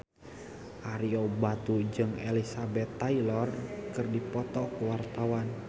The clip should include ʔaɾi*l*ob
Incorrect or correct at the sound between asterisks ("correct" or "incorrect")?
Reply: incorrect